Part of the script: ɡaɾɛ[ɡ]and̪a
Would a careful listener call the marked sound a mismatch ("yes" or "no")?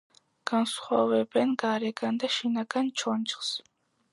no